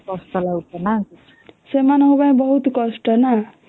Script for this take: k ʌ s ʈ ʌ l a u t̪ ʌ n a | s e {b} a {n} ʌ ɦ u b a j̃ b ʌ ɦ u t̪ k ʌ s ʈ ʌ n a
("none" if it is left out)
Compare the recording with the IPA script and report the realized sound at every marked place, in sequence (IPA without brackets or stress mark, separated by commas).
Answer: m, n